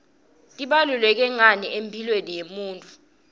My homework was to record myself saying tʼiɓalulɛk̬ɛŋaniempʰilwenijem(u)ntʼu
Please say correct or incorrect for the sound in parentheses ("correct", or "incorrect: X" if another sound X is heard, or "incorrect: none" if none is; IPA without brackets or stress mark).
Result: incorrect: uː